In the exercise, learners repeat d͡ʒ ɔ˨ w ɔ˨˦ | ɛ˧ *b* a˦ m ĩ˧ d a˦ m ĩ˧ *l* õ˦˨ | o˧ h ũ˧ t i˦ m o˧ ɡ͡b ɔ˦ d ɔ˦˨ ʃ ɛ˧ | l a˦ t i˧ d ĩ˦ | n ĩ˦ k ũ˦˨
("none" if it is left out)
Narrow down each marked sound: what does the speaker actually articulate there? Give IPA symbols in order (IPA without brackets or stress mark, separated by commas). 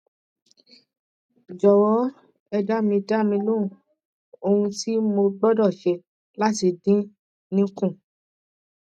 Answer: d, l